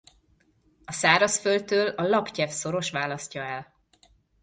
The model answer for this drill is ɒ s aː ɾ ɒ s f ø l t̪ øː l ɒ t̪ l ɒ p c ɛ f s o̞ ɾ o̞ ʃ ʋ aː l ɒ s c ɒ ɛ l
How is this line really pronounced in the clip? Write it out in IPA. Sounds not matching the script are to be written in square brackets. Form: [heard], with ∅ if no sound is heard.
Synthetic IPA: ɒ s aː ɾ ɒ s f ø l t̪ øː l ɒ [∅] l ɒ p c ɛ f s o̞ ɾ o̞ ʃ ʋ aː l ɒ s c ɒ ɛ l